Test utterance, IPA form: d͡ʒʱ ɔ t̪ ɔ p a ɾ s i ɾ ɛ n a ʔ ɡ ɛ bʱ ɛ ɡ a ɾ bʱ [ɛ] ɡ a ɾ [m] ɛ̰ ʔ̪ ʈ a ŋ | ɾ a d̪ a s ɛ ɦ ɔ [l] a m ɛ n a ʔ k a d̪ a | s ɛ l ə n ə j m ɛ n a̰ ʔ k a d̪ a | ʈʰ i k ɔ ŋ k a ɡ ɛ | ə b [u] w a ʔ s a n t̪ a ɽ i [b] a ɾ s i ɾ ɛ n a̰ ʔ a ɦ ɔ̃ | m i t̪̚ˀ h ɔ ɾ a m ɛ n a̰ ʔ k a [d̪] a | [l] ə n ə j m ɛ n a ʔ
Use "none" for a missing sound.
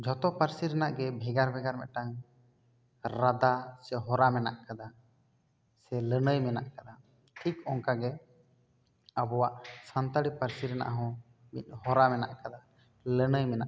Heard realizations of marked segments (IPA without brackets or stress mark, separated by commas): ɛ, m, ɾ, ɔ, p, d̪, l